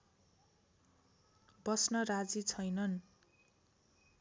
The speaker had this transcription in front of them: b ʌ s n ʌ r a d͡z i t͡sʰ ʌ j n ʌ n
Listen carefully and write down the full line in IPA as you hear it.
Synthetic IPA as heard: b ʌ s n ʌ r a d͡z i t͡sʰ ʌ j n ʌ n